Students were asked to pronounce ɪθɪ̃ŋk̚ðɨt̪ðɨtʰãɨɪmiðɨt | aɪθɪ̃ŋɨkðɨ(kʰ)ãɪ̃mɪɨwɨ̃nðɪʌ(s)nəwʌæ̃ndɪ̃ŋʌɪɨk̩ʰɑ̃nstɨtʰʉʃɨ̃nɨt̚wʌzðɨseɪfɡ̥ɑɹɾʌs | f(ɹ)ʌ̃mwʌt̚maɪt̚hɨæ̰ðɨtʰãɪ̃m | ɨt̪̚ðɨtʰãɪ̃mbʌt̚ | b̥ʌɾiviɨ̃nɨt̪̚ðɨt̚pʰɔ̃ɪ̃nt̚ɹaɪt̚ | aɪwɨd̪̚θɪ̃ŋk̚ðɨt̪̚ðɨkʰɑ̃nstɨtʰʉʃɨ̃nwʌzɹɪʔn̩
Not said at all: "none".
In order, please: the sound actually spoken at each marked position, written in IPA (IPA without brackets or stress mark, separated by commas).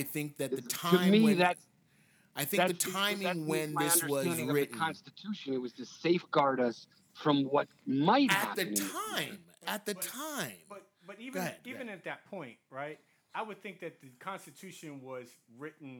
tʰ, s, ɹ